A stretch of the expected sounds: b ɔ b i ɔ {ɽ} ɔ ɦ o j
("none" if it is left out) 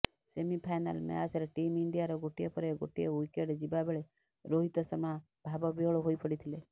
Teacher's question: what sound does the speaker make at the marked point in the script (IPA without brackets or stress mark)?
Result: ɭ